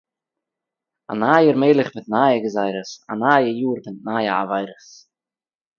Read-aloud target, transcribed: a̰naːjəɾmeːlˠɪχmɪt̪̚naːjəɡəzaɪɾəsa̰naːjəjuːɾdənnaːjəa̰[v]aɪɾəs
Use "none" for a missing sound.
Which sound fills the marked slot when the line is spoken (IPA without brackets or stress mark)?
v